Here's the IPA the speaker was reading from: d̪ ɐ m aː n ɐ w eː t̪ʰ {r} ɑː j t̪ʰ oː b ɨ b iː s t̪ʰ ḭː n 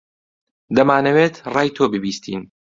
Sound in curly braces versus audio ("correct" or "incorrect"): correct